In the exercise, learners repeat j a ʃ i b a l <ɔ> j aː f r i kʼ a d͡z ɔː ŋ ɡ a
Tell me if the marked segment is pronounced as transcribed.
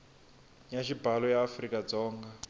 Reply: yes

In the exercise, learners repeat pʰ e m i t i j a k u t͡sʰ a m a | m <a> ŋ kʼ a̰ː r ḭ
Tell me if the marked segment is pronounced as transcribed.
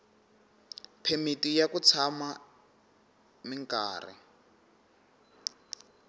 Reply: no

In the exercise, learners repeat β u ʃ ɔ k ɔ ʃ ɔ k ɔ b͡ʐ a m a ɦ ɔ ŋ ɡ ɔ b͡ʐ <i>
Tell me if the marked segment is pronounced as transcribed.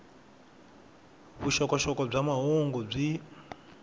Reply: yes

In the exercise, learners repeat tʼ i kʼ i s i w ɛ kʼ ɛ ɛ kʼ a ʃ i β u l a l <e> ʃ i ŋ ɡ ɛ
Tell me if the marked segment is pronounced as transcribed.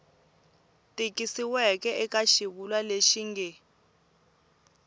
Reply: yes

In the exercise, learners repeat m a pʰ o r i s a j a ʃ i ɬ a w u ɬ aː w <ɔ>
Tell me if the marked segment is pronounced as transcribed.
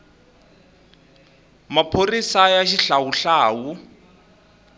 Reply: no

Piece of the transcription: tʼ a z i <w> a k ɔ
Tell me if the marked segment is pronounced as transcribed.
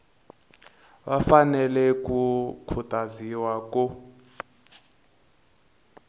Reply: yes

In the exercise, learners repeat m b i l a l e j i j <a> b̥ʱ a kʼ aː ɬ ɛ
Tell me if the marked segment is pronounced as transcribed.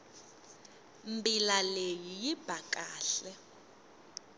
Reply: no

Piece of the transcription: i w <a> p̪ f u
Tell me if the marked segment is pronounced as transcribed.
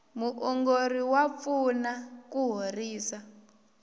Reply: yes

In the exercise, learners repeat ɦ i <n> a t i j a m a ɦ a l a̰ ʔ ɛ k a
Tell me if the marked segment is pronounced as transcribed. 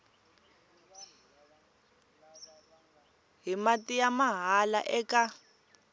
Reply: no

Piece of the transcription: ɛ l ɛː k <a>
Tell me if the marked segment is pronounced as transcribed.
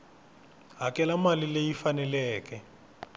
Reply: no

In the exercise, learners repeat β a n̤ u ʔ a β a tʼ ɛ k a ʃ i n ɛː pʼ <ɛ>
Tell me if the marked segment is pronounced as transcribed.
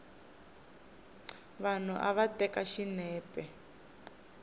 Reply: yes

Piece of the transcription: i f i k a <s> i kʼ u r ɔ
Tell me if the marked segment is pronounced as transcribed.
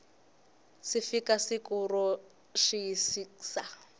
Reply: yes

